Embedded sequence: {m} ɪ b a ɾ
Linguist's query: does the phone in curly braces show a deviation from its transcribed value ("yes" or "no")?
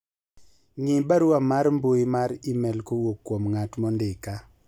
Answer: yes